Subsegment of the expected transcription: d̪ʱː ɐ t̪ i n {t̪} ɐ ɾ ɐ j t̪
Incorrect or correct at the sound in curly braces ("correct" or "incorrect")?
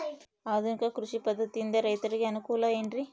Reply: incorrect